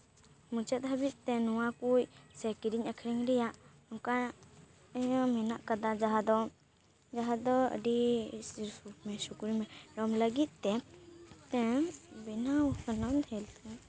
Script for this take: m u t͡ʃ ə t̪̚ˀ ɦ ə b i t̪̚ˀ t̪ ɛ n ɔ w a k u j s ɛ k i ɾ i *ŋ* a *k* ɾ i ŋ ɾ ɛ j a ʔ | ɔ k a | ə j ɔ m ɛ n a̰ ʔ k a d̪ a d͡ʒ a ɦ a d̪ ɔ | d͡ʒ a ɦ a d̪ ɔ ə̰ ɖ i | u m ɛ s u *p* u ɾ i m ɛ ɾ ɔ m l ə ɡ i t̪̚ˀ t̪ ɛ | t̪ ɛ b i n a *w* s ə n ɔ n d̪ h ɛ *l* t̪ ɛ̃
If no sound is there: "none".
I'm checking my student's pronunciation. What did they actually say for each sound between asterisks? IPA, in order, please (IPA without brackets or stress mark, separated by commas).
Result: ɲ, kʰ, k, w, l